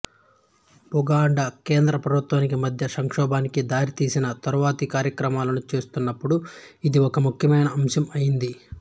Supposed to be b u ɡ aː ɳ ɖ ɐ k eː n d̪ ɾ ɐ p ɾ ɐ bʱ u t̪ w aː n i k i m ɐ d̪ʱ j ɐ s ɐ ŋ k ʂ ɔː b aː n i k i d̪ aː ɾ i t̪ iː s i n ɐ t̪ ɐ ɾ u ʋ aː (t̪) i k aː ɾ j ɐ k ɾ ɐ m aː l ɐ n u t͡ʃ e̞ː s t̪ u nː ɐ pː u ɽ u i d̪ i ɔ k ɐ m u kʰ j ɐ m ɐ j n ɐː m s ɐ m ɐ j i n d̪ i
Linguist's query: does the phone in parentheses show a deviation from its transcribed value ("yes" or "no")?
no